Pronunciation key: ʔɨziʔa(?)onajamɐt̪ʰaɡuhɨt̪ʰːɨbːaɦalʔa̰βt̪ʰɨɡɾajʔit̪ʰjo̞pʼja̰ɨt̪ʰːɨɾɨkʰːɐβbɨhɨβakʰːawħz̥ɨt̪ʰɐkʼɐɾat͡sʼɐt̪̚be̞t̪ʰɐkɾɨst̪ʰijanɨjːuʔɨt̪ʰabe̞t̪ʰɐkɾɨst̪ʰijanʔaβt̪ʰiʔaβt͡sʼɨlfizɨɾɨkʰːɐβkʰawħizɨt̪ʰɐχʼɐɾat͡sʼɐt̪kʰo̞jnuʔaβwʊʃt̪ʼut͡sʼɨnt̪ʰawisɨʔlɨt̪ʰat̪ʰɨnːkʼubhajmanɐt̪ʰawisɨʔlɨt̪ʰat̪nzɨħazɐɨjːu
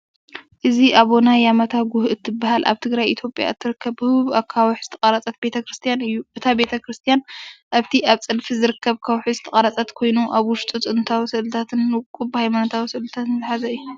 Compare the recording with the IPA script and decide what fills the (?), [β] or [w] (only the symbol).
β